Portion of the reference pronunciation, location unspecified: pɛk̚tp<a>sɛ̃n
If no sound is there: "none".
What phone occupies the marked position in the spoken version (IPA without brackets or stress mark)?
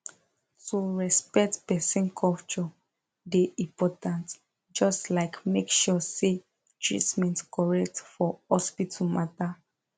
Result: ɛ